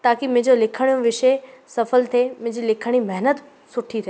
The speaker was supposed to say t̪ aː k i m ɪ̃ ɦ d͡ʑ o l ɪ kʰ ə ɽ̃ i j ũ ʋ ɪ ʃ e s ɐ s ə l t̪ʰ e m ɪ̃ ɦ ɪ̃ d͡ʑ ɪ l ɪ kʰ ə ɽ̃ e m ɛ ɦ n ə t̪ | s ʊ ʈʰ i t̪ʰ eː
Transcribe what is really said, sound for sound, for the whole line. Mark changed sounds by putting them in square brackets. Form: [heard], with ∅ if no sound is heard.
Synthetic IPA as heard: t̪ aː k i m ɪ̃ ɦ d͡ʑ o l ɪ kʰ ə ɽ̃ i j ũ ʋ ɪ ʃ e s ɐ [f] ə l t̪ʰ e m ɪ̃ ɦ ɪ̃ d͡ʑ [i] l ɪ kʰ ə ɽ̃ [i] m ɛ ɦ n ə t̪ | s ʊ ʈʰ i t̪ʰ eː